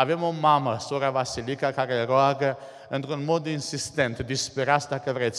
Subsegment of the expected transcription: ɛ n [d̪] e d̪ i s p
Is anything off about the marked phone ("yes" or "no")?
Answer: yes